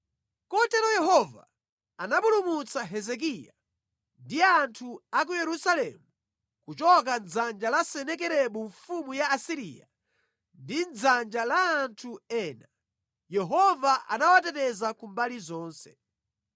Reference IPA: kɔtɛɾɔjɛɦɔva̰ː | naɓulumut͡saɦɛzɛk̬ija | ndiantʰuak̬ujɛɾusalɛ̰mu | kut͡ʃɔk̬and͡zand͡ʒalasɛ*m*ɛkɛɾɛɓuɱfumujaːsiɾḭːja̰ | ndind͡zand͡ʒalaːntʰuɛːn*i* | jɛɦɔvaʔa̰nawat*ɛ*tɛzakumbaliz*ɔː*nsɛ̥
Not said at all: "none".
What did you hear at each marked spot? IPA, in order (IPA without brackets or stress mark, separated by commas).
n, a, ɛ, ɔː